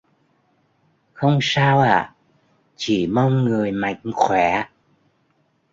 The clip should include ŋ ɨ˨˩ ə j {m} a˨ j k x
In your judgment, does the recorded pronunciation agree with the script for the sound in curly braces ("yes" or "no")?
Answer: yes